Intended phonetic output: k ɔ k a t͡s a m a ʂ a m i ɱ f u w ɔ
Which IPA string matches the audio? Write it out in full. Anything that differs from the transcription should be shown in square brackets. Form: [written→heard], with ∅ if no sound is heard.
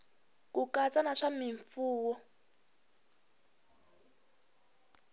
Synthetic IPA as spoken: k [ɔ→u] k a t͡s a [m→n] a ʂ a m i ɱ f [u→uː] w ɔ